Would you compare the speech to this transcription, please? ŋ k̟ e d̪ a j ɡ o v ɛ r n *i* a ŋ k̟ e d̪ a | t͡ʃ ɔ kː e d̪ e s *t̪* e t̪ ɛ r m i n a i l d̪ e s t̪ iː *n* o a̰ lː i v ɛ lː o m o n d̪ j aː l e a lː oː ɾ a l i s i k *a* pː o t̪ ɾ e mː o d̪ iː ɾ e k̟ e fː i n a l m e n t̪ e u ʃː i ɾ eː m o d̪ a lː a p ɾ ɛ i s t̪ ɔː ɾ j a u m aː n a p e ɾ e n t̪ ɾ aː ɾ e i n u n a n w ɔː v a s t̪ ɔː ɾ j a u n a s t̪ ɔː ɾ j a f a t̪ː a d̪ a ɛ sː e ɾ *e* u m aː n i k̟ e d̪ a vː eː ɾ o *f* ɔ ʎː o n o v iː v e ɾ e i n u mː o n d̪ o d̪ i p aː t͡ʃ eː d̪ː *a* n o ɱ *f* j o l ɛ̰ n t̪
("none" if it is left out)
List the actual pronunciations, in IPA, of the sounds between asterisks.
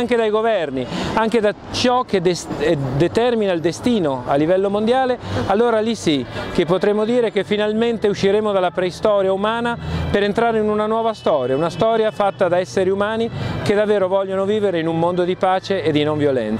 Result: i, d̪, n, e, i, v, i, v

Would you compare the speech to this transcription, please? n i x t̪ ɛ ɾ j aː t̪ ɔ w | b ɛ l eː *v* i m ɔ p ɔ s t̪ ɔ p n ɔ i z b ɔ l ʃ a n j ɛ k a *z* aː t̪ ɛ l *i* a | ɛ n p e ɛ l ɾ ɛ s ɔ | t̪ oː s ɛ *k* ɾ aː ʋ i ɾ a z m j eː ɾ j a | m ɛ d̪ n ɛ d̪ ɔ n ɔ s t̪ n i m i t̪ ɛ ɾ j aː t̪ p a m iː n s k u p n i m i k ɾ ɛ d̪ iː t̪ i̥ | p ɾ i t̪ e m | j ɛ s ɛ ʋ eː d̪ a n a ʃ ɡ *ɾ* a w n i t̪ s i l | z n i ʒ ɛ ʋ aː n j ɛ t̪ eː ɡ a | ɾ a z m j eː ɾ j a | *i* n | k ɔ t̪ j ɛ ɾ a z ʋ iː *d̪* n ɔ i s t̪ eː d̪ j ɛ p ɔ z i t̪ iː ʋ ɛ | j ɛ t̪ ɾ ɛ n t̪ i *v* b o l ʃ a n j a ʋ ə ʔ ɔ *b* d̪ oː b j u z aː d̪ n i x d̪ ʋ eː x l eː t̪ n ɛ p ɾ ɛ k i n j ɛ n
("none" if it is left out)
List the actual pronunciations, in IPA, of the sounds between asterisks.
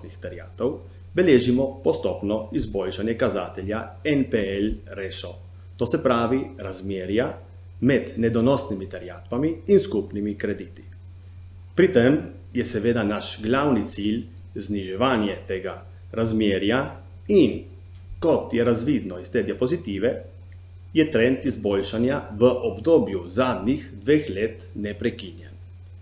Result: ʒ, z, j, p, l, i, d̪, z, b

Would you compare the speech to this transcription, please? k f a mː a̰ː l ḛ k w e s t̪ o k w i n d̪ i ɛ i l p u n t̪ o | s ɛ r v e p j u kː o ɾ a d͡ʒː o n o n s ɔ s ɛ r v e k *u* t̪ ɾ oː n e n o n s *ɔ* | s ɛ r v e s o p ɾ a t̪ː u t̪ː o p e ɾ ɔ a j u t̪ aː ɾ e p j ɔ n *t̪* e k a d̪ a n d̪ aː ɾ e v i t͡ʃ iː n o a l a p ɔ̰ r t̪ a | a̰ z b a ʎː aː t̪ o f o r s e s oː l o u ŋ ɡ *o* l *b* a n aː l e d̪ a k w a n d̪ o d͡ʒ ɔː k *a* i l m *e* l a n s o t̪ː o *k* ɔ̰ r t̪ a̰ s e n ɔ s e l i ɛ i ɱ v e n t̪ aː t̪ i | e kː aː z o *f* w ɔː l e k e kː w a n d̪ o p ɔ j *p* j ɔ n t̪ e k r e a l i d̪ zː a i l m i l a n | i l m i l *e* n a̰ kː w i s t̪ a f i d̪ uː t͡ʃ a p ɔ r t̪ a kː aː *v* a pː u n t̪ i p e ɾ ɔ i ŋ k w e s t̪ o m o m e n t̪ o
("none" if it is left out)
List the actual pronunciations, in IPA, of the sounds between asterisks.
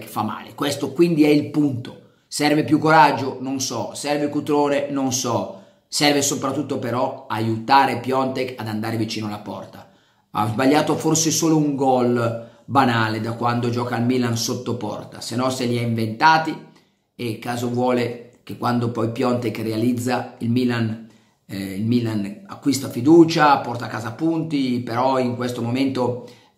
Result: u, ɔ, t̪, ɔ, b, a, i, p, v, p, a, z

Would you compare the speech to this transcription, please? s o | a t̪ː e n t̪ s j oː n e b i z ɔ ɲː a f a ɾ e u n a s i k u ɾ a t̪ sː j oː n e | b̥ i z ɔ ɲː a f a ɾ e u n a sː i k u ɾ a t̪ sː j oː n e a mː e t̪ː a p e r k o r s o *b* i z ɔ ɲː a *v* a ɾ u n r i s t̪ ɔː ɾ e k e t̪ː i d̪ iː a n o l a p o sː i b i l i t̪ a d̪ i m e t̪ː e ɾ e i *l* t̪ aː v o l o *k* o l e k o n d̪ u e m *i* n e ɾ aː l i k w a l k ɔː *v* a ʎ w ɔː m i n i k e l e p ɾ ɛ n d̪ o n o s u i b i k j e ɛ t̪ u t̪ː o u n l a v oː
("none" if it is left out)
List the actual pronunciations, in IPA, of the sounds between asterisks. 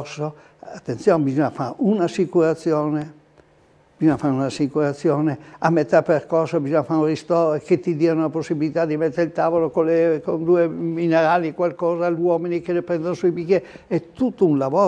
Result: b, f, l, k, i, z

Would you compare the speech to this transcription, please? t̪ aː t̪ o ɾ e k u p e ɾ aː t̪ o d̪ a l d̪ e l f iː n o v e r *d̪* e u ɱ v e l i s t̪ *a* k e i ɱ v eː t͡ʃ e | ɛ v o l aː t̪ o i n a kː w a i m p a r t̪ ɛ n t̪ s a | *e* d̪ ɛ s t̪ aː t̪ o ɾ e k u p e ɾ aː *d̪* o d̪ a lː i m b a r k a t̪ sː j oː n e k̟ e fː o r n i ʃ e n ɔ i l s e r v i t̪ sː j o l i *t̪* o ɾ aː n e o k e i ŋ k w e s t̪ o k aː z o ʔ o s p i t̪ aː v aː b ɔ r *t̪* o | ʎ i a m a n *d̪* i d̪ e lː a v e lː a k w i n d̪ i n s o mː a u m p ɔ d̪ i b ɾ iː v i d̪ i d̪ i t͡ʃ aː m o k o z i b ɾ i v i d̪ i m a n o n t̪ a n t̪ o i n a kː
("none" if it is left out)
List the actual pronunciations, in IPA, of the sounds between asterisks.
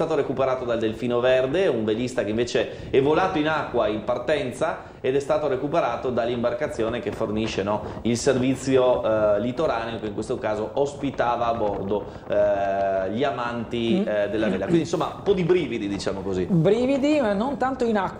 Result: d̪, a, e, t̪, t̪, d̪, t̪

